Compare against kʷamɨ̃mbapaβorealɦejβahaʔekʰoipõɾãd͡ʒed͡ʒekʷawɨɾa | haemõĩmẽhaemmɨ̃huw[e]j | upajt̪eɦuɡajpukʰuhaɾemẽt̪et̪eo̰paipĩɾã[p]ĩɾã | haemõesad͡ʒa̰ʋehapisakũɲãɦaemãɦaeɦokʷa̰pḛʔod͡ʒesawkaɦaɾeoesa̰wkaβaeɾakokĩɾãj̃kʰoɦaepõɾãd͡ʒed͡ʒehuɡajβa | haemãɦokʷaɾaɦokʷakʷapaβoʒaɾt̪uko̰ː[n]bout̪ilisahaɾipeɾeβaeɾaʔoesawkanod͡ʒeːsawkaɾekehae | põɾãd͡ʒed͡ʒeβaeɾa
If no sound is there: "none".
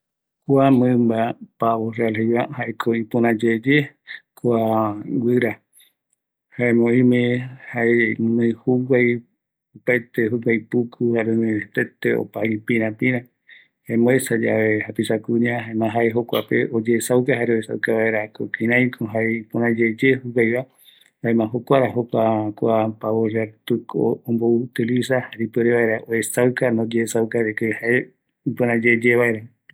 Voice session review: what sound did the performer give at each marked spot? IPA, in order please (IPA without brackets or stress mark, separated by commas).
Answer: a, p, m